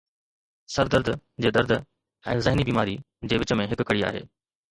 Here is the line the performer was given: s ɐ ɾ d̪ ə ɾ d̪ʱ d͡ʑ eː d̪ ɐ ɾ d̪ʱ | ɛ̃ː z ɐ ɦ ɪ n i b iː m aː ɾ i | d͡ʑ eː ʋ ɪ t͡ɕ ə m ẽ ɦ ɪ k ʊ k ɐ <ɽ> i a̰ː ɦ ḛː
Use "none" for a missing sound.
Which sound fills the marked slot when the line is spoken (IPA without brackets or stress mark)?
ɽ